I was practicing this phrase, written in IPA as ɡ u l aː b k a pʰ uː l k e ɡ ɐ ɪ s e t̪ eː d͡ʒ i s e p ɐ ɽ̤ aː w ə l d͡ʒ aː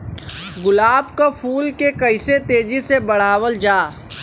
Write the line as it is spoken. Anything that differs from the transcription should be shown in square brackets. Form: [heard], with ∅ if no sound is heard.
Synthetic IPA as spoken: ɡ [ʊ] l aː b k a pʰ uː l k e [k] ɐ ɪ s e t̪ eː d͡ʒ i s e [b] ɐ ɽ̤ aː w ə l d͡ʒ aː